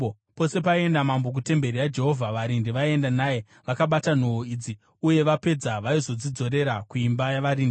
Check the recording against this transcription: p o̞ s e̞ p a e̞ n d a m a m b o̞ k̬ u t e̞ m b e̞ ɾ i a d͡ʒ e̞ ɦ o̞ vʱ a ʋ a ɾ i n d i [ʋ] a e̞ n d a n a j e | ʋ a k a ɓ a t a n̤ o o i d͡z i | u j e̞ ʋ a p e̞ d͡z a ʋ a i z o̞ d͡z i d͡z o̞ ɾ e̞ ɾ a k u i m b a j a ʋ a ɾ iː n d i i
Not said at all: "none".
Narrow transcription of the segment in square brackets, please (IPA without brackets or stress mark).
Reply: ʋ